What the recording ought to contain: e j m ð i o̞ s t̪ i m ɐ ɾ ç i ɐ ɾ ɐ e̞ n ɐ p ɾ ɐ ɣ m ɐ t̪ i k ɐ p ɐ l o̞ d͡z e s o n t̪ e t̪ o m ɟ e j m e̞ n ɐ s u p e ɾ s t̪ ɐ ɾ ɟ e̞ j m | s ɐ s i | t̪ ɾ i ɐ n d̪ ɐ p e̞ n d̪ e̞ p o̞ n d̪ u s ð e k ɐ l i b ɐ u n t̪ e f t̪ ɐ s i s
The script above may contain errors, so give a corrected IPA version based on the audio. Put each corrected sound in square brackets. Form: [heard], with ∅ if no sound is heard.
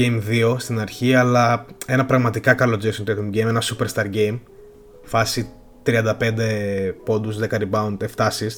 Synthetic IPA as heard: e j m ð i o̞ s t̪ i [n] ɐ ɾ ç i ɐ [l] ɐ e̞ n ɐ p ɾ ɐ ɣ m ɐ t̪ i k ɐ [k] ɐ l o̞ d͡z e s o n t̪ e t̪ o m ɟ e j m e̞ n ɐ s u p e ɾ s t̪ ɐ ɾ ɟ e̞ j m | [f] ɐ s i | t̪ ɾ i ɐ n d̪ ɐ p e̞ n d̪ e̞ p o̞ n d̪ u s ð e k ɐ [ɾ] i b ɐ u n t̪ e f t̪ ɐ s i s